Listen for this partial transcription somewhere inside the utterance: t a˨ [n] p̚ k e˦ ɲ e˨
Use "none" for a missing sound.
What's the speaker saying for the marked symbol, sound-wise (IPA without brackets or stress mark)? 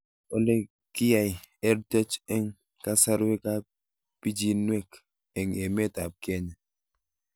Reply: none